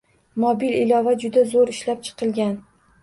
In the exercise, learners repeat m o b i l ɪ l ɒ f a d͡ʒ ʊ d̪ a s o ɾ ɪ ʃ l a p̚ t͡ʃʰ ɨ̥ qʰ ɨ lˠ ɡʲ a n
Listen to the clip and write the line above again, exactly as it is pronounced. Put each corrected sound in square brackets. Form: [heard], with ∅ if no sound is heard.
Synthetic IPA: m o b i l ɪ l ɒ [v] a d͡ʒ ʊ d̪ a [z] o ɾ ɪ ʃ l a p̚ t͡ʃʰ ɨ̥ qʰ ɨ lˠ ɡʲ a n